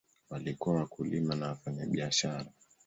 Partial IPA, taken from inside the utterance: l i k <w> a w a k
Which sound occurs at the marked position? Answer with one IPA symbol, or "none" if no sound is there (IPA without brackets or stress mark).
u